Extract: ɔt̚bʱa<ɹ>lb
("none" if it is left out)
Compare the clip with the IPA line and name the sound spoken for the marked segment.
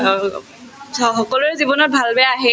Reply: none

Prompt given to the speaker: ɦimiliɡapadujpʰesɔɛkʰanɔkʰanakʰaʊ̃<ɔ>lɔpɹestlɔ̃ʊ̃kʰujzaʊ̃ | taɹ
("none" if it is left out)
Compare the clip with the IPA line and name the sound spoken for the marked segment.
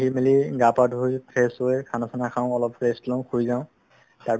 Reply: ɔ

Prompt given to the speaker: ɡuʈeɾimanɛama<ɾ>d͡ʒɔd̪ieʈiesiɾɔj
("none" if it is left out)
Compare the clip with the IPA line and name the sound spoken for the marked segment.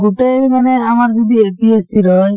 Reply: ɾ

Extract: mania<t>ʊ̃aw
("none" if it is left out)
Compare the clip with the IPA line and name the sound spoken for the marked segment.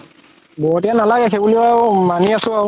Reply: s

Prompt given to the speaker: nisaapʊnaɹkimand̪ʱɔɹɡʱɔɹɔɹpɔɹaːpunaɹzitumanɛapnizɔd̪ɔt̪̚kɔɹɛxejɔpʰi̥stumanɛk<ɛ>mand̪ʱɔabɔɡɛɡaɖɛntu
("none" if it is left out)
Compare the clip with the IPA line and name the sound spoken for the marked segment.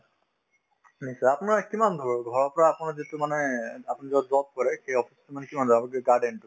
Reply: i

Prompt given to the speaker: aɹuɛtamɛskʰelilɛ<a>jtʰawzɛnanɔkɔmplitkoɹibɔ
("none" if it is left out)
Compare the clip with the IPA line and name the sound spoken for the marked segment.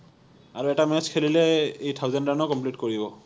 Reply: e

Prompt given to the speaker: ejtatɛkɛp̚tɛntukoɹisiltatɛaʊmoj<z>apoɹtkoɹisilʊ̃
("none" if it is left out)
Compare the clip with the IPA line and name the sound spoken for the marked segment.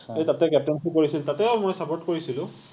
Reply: s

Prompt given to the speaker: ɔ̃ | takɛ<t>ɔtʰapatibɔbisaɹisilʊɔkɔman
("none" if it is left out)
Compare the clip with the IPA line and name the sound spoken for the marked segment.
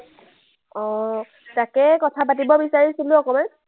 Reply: k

